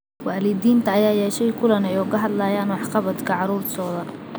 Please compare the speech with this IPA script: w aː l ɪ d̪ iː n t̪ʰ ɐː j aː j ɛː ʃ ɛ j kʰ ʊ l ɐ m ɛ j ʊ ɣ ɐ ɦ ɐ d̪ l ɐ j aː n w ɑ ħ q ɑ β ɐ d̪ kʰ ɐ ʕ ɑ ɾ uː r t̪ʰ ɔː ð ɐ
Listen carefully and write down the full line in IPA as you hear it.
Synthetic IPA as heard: w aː l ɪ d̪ iː n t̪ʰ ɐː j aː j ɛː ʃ ɛ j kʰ ʊ l ɐ n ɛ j ʊ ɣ ɐ ɦ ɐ d̪ l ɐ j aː n w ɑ ħ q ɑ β ɐ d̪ kʰ ɐ ʕ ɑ ɾ uː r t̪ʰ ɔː ð ɐ